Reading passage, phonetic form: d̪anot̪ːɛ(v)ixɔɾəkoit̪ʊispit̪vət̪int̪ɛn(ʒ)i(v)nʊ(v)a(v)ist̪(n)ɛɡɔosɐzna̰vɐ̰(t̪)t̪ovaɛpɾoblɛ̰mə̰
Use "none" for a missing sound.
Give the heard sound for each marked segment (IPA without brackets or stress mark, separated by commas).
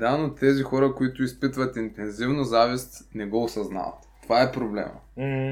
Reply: z, z, v, z, v, n, t̪